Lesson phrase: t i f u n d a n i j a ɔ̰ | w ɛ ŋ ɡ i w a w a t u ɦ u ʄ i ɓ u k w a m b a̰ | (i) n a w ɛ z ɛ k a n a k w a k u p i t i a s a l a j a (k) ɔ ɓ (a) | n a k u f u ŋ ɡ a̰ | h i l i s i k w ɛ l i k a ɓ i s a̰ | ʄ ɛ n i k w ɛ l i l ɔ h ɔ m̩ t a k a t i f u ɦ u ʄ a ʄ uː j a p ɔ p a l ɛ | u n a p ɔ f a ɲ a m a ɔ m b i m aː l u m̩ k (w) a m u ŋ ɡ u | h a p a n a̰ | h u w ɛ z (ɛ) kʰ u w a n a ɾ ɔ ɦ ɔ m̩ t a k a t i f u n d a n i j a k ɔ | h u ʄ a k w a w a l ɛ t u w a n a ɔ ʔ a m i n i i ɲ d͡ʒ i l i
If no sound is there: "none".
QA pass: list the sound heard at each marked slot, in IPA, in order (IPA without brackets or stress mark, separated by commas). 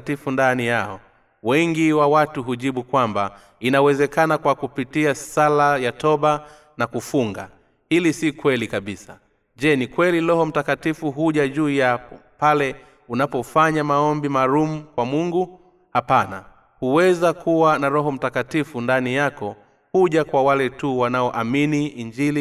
i, t, a, w, a